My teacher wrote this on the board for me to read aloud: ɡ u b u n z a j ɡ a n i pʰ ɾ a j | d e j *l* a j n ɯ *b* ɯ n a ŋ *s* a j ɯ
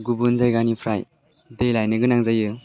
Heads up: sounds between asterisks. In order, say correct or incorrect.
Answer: correct, incorrect, incorrect

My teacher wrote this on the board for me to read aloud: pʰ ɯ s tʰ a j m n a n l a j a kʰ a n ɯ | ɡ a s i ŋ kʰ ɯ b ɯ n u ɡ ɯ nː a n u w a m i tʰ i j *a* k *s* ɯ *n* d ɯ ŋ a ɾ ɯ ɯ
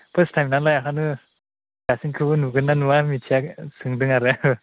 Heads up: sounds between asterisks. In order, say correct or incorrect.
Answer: correct, correct, incorrect

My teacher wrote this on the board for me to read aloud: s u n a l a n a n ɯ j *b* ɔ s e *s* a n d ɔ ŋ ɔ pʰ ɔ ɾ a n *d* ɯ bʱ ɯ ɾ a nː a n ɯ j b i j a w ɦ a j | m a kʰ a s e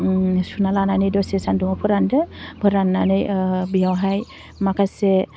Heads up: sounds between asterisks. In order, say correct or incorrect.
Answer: incorrect, correct, correct

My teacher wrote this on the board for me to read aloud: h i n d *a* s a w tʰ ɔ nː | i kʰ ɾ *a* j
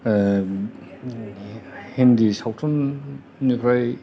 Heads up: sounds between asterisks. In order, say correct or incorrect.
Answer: incorrect, correct

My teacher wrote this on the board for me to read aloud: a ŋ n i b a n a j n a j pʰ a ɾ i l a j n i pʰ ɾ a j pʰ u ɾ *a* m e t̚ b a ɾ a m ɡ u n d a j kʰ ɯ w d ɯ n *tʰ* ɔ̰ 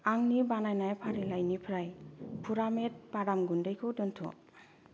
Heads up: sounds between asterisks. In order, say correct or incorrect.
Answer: correct, correct

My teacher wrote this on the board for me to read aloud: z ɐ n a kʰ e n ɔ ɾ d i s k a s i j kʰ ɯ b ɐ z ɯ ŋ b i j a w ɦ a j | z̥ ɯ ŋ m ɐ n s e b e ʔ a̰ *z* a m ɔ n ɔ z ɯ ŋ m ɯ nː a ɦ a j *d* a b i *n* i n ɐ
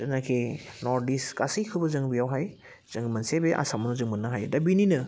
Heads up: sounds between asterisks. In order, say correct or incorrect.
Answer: incorrect, correct, correct

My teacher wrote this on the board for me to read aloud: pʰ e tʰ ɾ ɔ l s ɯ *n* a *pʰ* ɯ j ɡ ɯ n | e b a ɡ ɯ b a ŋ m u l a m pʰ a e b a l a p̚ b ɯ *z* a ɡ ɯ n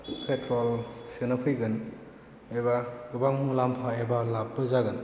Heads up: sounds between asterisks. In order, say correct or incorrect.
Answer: correct, correct, correct

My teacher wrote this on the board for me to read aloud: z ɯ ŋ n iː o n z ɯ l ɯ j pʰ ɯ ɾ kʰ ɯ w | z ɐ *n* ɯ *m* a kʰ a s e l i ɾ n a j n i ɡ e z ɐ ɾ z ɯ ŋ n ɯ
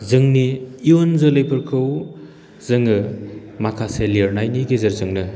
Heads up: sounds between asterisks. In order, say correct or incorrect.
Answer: incorrect, correct

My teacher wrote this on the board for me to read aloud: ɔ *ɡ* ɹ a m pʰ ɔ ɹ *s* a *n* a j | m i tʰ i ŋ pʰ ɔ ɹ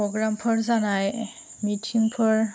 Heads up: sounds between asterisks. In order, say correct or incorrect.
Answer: correct, incorrect, correct

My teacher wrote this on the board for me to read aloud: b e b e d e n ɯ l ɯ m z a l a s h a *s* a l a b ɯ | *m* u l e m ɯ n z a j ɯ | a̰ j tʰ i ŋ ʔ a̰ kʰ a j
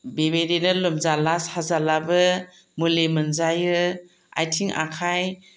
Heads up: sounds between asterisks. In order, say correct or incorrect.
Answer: incorrect, correct

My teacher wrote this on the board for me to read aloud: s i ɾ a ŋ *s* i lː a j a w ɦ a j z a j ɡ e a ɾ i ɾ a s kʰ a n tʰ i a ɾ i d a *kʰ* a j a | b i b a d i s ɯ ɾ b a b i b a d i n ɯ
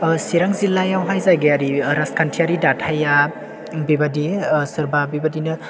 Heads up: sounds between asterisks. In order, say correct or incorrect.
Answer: incorrect, incorrect

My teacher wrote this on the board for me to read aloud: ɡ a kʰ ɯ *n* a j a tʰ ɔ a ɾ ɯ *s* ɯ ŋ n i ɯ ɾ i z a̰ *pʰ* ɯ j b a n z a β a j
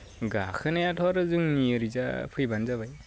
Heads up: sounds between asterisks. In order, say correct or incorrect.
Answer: correct, incorrect, correct

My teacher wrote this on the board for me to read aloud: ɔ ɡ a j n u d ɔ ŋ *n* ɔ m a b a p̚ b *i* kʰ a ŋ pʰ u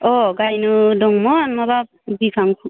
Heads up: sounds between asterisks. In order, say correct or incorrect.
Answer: incorrect, correct

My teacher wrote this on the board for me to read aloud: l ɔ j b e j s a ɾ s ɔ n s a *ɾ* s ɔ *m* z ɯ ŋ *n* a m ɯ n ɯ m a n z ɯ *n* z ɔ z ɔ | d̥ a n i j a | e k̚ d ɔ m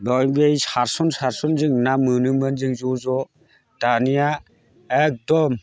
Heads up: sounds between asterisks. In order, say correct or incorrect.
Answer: correct, incorrect, correct, incorrect

